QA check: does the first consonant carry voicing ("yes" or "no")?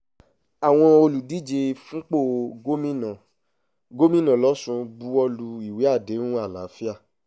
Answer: yes